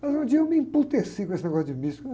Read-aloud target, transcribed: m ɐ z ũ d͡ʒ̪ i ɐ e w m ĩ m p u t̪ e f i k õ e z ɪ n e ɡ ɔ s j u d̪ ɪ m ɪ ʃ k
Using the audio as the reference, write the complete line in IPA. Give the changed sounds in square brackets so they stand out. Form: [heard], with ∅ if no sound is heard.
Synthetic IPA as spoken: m ɐ z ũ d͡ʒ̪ i ɐ e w m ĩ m p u t̪ e [s] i k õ e [s] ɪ n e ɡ ɔ s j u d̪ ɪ m [i] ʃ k